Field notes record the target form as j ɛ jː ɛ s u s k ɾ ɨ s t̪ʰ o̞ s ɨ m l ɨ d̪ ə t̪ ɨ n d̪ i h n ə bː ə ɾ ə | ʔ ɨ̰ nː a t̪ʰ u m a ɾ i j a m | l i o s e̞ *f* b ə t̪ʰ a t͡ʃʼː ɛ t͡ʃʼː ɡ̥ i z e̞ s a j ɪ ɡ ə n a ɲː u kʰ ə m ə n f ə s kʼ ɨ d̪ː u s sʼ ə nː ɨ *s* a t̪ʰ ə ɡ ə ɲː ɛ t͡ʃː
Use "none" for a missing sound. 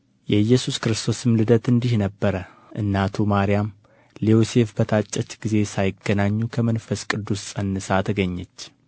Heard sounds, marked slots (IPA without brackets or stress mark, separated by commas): f, s